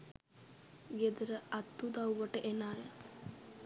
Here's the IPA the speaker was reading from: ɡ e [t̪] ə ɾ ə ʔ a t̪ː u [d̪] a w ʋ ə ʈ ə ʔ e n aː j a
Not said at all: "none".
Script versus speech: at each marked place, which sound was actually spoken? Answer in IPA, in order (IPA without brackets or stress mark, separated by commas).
d̪, d̪